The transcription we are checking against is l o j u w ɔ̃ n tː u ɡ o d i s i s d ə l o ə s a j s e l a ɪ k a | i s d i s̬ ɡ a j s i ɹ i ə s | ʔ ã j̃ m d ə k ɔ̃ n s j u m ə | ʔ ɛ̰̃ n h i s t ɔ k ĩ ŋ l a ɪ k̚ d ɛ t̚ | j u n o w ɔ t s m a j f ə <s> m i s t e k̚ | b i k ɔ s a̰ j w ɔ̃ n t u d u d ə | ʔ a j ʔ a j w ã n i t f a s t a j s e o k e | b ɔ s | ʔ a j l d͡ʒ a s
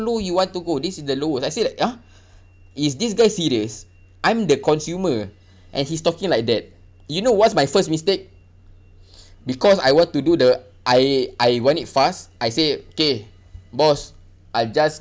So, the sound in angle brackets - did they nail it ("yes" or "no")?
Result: yes